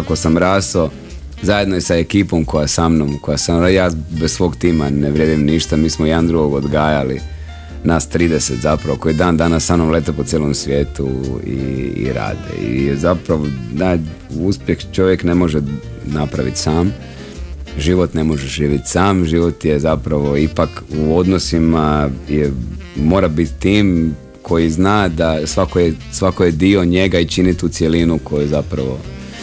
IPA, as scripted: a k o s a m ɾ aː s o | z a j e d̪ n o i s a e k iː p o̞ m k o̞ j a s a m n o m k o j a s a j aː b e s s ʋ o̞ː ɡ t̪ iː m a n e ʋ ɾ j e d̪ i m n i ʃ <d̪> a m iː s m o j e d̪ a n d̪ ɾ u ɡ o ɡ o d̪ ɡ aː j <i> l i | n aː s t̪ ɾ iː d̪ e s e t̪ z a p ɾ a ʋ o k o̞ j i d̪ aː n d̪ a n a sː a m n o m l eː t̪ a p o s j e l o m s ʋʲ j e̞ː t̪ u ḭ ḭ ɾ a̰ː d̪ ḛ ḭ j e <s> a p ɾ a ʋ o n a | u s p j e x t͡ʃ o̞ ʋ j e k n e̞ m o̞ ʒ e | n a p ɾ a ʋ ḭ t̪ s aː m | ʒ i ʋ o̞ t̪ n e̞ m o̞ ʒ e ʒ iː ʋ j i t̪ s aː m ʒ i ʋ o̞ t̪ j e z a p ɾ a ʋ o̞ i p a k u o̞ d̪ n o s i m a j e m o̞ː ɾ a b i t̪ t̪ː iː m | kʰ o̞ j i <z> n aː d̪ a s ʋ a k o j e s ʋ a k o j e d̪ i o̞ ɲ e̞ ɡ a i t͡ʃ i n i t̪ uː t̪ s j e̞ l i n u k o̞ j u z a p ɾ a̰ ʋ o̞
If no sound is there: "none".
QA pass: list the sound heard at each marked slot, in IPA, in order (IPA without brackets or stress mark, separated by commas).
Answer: t̪, a, z, z